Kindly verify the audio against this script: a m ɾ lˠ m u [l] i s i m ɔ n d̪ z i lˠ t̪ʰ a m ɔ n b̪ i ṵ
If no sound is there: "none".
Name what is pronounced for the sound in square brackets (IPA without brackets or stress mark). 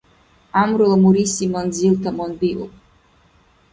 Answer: ɾ